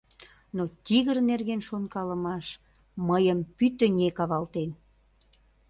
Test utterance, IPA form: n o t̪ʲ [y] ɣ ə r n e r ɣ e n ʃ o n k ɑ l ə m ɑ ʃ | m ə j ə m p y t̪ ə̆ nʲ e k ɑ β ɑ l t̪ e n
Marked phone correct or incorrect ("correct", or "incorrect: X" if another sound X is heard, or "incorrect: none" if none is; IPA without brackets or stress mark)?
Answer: incorrect: i